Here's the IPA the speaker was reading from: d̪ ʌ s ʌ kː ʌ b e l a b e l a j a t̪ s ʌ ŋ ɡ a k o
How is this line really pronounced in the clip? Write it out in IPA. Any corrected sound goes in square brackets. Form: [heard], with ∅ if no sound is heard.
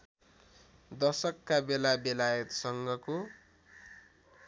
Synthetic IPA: d̪ ʌ s ʌ kː [a] b e l a b e l a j [ʌ] t̪ s ʌ ŋ ɡ [ʌ] k o